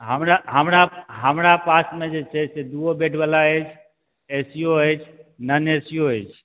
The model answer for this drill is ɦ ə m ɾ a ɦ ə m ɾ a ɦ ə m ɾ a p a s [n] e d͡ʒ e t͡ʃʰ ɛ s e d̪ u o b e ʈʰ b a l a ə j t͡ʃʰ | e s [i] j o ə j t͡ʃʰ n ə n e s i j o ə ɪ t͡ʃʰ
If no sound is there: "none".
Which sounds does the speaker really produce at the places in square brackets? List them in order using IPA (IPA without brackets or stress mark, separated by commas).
m, i